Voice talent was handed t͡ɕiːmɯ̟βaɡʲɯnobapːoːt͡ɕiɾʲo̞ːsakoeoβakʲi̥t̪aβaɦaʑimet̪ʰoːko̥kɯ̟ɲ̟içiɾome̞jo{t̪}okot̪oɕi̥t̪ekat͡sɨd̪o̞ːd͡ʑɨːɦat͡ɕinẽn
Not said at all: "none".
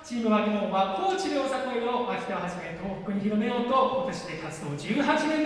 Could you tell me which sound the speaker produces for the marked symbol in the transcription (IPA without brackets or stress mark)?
t̪